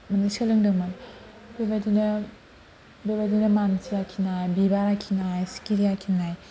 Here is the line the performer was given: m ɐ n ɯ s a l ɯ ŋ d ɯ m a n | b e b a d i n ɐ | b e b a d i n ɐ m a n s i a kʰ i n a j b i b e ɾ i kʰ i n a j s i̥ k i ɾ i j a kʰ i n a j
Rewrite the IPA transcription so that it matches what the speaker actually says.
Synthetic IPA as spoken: m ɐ n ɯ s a l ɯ ŋ d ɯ m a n | b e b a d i n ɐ | b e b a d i n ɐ m a n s i a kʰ i n a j b i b a ɾ a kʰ i n a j s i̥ k i ɾ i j a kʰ i n a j